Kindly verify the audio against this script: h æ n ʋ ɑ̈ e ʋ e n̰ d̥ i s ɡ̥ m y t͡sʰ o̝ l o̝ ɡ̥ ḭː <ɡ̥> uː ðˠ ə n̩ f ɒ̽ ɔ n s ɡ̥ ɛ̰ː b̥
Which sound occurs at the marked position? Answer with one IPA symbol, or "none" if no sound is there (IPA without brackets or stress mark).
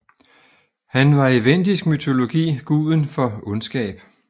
ɡ̥